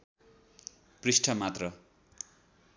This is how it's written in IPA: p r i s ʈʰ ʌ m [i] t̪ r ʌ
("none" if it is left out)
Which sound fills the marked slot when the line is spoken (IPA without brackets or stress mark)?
a